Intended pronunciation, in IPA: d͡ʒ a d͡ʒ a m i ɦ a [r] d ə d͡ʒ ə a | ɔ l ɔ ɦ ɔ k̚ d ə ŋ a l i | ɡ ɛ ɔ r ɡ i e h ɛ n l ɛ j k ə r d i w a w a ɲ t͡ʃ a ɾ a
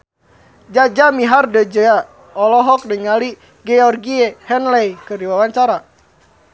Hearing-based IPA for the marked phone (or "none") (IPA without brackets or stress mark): r